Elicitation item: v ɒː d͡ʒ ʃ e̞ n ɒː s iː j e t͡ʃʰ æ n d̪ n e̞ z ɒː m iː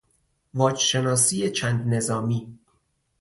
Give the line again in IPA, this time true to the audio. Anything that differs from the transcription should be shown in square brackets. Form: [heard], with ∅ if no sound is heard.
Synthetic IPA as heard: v ɒː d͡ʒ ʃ e̞ n ɒː s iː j e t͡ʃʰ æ n d̪ n e̞ z ɒː m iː